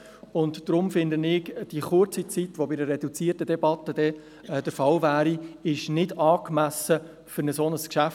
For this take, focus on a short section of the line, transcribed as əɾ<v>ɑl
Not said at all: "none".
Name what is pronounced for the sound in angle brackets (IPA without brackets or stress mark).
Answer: f